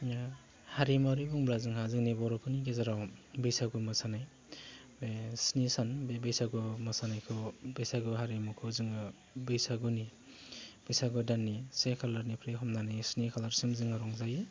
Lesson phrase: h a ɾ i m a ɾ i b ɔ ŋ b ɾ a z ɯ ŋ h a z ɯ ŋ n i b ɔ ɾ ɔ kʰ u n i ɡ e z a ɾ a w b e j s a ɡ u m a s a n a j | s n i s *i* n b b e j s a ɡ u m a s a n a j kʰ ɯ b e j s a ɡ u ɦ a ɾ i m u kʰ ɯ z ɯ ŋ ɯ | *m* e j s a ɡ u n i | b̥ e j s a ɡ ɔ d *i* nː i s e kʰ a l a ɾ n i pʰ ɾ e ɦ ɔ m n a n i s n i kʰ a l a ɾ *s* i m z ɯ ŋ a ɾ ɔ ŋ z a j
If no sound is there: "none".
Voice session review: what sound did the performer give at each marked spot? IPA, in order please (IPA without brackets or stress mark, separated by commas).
a, b, a, s